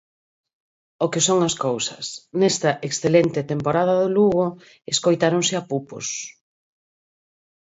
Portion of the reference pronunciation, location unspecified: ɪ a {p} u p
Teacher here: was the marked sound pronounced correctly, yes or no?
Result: yes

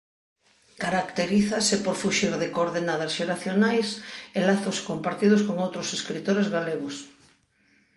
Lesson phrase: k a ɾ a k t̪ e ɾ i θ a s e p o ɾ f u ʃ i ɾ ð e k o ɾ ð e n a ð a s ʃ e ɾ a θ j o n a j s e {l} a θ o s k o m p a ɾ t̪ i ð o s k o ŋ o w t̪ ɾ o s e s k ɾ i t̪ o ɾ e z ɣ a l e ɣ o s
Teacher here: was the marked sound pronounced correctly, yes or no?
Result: yes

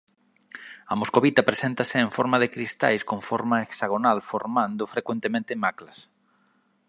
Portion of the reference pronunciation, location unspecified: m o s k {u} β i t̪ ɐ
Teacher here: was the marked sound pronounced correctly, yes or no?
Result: no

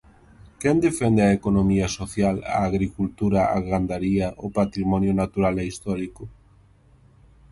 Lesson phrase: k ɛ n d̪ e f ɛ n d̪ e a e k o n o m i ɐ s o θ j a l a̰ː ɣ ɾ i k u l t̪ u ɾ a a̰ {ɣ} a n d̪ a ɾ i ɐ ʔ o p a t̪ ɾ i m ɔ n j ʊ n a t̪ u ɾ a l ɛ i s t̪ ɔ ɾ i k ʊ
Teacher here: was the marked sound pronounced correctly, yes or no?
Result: yes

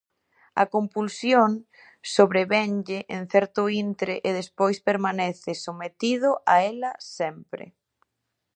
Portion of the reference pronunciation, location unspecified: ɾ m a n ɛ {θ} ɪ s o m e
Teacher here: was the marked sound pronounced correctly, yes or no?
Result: yes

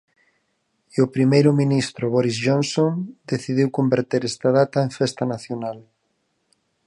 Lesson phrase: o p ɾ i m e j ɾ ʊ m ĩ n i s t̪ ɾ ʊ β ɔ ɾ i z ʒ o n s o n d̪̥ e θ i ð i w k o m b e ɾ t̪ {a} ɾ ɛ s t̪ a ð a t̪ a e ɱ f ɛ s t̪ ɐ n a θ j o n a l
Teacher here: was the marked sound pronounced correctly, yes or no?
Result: no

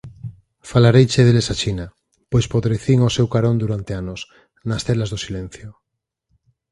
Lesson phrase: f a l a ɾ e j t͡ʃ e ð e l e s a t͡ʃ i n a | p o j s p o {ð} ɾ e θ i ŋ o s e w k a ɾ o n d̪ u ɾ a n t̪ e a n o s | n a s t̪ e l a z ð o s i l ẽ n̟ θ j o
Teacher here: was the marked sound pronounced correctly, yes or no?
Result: yes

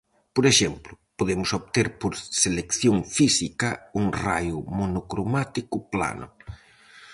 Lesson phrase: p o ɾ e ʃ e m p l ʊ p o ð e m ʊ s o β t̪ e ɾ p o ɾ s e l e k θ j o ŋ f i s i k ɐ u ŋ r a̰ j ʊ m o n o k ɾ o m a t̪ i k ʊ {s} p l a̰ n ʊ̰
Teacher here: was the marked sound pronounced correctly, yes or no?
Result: no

